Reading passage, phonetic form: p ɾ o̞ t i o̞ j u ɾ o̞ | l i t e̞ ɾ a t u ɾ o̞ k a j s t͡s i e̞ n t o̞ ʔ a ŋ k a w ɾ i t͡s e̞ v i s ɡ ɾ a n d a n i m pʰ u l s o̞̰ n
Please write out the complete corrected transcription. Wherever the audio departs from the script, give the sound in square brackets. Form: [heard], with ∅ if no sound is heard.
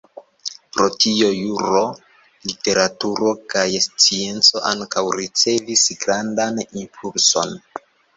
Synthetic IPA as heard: p ɾ o̞ t i o̞ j u ɾ o̞ | l i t e̞ ɾ a t u ɾ o̞ k a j s t͡s i e̞ n [t͡s] o̞ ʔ a ŋ k a w ɾ i t͡s e̞ v i s ɡ ɾ a n d a n i m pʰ u l s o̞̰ n